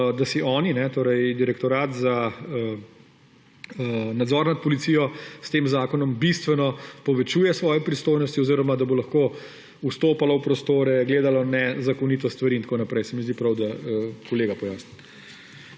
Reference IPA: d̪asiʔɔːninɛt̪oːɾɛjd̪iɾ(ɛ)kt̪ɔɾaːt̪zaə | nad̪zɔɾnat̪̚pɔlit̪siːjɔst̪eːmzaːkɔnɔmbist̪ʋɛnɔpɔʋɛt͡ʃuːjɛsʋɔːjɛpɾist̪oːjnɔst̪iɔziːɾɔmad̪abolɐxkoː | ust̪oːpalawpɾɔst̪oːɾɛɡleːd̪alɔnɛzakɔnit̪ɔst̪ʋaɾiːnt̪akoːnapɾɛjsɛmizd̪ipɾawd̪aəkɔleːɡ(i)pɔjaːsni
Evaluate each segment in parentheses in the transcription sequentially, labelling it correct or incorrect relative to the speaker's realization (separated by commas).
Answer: correct, incorrect